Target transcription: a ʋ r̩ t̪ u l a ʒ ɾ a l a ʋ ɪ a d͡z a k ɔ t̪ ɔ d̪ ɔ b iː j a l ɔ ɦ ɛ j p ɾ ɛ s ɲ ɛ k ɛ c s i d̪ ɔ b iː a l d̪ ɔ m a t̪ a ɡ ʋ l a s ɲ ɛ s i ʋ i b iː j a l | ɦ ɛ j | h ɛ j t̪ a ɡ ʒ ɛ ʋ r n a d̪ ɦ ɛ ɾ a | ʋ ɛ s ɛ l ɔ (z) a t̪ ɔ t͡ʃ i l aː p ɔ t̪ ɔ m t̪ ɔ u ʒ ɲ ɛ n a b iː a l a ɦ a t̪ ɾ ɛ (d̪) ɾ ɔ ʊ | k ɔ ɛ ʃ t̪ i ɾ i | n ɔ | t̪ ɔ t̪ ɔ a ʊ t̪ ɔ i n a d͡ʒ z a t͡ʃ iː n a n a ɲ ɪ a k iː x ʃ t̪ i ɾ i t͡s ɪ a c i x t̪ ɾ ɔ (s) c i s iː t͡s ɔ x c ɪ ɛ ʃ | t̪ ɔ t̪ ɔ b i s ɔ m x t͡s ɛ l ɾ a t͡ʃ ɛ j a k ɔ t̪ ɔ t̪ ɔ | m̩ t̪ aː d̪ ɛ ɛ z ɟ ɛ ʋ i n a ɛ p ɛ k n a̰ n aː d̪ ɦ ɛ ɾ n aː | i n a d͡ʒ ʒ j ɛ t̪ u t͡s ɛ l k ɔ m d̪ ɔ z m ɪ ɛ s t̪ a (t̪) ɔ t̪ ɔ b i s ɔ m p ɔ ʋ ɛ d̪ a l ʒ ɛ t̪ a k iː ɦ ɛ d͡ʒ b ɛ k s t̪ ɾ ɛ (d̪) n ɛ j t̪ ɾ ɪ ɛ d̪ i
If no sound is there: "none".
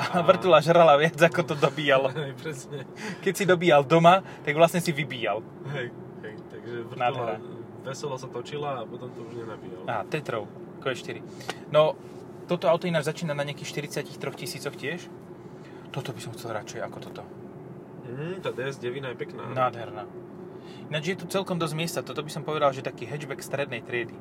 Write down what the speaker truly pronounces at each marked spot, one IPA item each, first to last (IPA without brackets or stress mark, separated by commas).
s, t̪, x, t̪, d̪